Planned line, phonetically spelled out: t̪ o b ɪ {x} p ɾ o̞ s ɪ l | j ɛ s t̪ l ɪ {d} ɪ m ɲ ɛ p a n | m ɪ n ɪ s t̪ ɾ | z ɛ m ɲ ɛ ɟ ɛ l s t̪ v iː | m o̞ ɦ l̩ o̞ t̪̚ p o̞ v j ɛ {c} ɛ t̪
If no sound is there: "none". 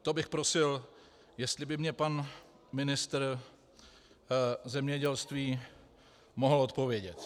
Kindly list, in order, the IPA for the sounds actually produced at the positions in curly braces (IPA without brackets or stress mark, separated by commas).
x, b, ɟ